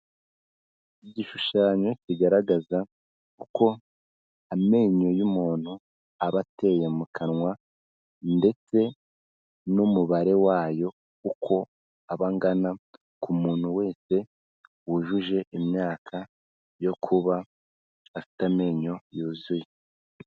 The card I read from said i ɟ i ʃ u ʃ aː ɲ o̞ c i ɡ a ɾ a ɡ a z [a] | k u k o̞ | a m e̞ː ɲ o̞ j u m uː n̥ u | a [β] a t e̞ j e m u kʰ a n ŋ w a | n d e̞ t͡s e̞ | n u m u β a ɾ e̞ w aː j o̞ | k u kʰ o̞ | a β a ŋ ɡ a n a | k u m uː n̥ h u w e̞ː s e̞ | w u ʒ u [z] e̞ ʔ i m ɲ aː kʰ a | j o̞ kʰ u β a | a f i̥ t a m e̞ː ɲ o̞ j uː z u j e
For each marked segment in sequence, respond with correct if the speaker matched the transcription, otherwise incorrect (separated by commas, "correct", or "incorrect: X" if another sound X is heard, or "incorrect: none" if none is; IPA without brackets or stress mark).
correct, correct, incorrect: ʒ